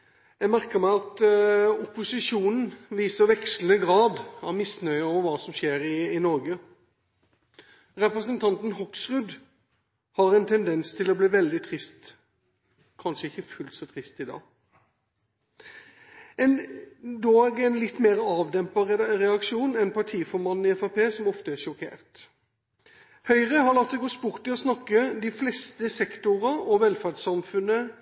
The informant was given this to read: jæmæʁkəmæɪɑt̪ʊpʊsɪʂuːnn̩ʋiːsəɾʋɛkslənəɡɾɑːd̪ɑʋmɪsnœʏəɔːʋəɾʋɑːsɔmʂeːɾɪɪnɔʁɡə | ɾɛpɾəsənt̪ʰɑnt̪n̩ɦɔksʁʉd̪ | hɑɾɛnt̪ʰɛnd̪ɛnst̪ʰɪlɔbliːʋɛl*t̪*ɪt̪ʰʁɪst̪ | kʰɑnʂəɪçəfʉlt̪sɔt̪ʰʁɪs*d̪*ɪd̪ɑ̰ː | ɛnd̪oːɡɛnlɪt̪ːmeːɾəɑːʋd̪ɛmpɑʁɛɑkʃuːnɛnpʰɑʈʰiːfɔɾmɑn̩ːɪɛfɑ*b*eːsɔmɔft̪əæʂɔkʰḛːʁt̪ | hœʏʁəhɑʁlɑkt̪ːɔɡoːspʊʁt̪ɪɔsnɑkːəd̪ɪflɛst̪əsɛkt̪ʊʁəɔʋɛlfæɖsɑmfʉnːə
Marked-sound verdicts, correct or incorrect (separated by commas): incorrect, incorrect, incorrect